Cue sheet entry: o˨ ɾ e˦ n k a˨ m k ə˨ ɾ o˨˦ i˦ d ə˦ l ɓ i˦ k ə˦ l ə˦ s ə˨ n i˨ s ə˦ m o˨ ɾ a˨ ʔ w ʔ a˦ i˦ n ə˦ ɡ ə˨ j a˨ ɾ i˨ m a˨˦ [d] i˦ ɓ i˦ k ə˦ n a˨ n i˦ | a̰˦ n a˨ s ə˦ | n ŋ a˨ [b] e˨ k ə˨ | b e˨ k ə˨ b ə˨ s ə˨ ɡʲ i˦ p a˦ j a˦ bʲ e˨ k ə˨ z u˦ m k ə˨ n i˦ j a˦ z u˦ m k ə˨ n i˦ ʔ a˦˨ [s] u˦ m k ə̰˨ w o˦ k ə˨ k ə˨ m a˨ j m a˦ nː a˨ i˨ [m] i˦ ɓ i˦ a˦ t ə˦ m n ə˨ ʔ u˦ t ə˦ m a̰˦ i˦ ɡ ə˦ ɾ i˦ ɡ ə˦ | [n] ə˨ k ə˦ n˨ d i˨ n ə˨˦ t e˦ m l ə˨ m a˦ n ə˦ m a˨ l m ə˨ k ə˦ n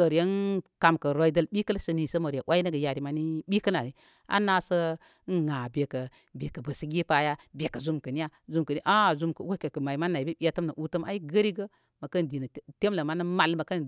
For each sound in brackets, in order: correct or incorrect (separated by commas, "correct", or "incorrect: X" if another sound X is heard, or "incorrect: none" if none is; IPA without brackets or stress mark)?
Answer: incorrect: n, correct, incorrect: z, incorrect: b, incorrect: m